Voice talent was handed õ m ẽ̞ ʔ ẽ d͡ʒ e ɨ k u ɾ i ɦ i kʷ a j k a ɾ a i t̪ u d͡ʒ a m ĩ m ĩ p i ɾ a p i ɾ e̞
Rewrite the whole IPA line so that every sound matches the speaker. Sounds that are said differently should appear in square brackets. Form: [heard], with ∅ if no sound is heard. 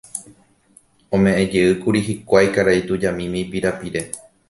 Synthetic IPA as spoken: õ m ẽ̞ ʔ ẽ d͡ʒ e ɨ k u ɾ i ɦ i kʷ a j k a ɾ a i t̪ u d͡ʒ a m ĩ m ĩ p i ɾ a p i ɾ e̞